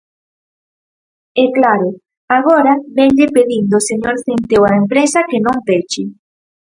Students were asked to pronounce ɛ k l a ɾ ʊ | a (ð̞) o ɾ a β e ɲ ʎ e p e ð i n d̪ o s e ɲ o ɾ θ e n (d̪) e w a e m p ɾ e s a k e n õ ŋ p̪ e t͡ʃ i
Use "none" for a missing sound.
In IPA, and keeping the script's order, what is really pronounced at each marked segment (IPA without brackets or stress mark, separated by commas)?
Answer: ɣ̞, t̪